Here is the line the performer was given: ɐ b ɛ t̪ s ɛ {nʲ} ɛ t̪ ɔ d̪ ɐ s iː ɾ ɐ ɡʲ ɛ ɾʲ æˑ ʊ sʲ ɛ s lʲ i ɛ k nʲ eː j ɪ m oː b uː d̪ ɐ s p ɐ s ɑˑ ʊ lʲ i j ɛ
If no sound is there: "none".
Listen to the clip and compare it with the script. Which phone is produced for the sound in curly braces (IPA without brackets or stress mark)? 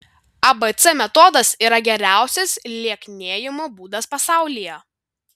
mʲ